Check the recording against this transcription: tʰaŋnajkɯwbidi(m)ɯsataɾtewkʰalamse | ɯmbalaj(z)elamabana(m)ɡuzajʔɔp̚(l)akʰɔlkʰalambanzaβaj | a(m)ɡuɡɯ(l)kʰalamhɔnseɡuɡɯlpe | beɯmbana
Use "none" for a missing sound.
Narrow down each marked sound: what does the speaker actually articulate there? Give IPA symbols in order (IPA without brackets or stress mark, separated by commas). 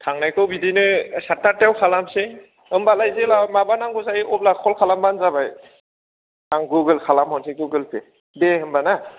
n, z, ŋ, l, ŋ, l